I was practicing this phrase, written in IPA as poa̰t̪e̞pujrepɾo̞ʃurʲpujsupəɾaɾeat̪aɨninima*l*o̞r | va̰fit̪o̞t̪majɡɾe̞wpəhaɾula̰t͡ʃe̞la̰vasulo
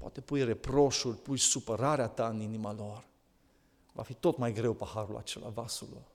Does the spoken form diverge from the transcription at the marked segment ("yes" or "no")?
no